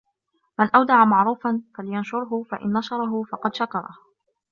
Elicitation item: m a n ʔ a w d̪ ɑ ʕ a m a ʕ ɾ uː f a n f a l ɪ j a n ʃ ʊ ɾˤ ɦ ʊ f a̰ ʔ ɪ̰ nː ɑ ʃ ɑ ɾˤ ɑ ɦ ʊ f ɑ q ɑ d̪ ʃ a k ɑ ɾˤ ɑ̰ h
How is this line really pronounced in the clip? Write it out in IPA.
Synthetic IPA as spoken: m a n ʔ a w d̪ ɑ ʕ a m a ʕ ɾ uː f a n f a l ɪ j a n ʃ ʊ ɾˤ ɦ ʊ f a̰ ʔ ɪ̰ nː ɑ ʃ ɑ ɾˤ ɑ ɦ ʊ f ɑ q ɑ d̪ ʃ a k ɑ ɾˤ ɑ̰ h